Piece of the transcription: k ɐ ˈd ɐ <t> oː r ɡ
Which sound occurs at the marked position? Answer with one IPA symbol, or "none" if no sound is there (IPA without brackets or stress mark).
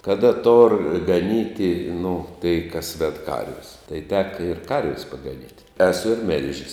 t